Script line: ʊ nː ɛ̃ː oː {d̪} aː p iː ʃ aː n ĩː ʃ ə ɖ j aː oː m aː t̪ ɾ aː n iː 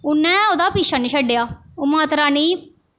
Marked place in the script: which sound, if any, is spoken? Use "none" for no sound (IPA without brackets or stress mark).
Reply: d̪